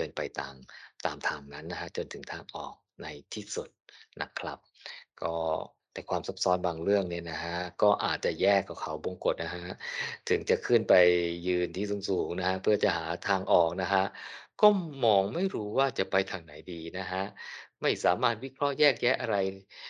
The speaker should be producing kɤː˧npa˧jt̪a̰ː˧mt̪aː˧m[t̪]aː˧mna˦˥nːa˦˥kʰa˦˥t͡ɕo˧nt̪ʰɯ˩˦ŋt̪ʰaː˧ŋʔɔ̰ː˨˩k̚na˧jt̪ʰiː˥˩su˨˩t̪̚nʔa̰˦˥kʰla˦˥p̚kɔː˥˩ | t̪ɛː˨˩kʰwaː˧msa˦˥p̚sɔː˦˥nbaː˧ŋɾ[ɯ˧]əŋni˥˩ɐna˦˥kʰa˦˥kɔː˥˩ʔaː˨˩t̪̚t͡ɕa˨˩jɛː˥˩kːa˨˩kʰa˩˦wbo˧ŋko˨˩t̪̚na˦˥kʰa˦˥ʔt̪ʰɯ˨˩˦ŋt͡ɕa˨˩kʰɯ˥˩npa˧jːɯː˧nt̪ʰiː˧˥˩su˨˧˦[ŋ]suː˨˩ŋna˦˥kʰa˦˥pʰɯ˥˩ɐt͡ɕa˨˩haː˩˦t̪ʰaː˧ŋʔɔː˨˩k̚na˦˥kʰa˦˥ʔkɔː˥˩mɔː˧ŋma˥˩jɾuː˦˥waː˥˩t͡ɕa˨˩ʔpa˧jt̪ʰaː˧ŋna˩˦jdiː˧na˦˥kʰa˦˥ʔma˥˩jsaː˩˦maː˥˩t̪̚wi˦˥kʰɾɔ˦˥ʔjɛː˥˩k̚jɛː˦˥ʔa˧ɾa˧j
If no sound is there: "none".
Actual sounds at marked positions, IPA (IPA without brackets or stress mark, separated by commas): t̪ʰ, ɯ˥˩, ŋ